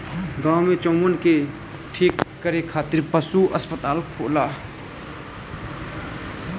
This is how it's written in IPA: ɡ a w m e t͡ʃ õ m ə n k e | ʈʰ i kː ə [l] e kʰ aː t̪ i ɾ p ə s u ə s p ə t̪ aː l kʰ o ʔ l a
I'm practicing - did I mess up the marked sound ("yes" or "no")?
yes